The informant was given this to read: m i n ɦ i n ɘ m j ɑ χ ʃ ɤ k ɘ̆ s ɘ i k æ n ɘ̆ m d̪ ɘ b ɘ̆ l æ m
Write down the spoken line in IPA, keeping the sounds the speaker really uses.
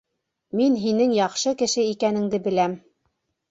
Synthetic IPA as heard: m i n ɦ i n ɘ ŋ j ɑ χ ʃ ɤ k ɘ̆ ʃ ɘ i k æ n ɘ̆ ŋ d̪ ɘ b ɘ̆ l æ m